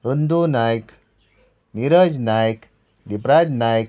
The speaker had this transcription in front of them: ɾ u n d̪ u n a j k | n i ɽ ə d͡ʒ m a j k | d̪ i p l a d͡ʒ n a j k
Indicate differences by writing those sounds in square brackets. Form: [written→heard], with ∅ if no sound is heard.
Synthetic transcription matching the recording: ɾ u n d̪ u n a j k | n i [ɽ→ɾ] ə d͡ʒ [m→n] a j k | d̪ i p [l→ɾ] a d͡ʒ n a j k